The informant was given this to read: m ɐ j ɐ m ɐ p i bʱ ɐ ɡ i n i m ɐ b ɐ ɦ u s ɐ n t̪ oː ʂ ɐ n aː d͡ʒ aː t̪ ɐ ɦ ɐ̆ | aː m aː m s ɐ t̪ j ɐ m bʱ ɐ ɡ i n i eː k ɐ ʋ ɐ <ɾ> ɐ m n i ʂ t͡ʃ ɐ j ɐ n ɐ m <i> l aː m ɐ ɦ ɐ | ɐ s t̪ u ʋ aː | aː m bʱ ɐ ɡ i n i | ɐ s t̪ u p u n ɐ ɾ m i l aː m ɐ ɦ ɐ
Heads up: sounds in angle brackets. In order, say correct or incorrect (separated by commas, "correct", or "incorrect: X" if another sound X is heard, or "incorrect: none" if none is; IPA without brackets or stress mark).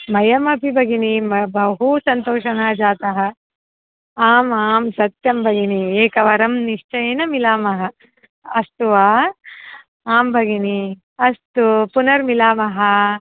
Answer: correct, correct